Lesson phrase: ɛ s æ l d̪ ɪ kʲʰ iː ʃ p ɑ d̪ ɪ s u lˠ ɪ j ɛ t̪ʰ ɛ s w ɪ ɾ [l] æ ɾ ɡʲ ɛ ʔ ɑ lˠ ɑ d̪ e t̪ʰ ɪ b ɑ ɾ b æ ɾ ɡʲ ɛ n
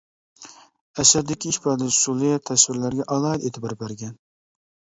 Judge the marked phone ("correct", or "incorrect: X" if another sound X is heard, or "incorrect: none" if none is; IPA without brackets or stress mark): correct